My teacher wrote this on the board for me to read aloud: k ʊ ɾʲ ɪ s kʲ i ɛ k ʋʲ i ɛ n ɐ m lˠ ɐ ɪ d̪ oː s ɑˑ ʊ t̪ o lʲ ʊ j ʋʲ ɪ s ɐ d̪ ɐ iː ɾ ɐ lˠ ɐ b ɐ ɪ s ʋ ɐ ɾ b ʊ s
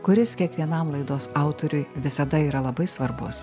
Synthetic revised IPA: k ʊ ɾʲ ɪ s kʲ i ɛ k ʋʲ i ɛ n ɐ m lˠ ɐ ɪ d̪ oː s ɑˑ ʊ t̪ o ɾʲ ʊ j ʋʲ ɪ s ɐ d̪ ɐ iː ɾ ɐ lˠ ɐ b ɐ ɪ s ʋ ɐ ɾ b ʊ s